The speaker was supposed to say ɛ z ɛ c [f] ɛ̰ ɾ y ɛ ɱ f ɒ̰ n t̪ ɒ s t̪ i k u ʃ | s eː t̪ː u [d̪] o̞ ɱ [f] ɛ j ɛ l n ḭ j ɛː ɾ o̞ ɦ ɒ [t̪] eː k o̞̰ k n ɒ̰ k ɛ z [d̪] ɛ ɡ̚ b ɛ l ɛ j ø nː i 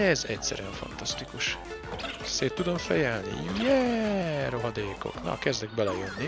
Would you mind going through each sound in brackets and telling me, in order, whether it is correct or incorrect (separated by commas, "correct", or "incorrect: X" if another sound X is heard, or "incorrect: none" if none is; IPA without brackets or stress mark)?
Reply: incorrect: s, correct, correct, incorrect: d̪, correct